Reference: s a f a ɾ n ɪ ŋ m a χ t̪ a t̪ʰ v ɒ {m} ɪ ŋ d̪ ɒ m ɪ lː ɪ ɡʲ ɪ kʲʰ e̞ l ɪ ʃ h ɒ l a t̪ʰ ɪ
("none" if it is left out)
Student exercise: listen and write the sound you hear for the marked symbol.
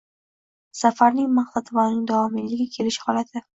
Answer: n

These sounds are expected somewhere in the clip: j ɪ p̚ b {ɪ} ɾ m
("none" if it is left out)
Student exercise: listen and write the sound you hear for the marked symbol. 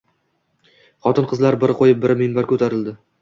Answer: ɪ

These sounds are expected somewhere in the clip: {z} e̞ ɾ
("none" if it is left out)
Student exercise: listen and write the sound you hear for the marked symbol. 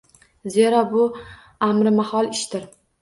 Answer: z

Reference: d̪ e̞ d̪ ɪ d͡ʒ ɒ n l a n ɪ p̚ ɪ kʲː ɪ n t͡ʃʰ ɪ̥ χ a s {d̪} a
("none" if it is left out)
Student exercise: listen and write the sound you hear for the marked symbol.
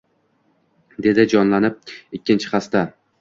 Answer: t̪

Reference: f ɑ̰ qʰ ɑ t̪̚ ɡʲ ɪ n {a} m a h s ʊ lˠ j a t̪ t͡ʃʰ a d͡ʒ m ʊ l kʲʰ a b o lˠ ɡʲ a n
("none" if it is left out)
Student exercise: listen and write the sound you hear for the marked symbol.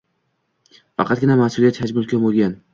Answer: a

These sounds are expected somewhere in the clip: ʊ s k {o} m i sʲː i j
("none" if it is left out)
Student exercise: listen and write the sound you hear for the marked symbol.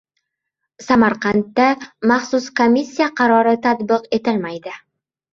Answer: o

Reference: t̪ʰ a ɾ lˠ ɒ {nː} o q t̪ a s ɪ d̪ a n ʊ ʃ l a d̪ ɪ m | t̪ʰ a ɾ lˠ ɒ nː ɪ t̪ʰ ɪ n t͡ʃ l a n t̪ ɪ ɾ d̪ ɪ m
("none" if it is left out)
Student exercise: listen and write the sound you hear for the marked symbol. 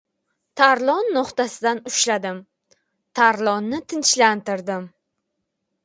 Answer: nː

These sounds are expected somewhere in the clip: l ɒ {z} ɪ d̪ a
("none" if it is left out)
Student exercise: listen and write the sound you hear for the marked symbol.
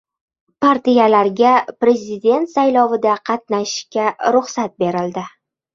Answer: v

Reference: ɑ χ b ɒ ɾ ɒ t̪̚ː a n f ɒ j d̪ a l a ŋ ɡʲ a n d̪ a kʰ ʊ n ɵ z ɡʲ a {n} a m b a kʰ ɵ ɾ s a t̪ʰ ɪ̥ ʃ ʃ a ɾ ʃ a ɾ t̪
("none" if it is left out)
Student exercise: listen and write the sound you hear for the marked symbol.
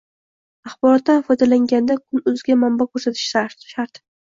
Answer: m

